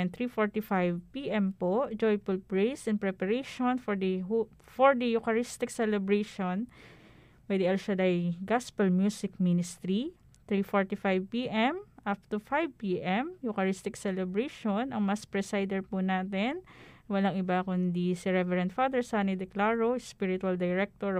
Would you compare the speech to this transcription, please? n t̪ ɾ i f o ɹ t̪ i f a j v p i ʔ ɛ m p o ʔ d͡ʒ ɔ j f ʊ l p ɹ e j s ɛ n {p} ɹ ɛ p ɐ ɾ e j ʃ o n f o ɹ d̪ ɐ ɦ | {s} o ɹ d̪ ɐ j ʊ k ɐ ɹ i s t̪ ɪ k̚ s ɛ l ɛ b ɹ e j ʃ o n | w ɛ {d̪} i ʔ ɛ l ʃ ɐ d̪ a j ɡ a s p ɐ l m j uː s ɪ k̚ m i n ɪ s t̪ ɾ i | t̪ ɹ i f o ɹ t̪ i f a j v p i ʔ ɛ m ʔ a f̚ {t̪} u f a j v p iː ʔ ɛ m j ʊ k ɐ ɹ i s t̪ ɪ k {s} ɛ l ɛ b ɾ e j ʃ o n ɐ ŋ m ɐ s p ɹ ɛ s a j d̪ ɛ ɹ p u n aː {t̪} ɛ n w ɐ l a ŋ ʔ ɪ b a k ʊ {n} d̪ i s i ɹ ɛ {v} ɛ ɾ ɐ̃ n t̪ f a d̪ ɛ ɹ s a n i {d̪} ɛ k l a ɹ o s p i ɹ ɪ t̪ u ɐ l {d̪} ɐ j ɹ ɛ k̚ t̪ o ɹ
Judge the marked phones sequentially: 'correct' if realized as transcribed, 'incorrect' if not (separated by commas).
correct, incorrect, correct, correct, correct, correct, correct, correct, correct, correct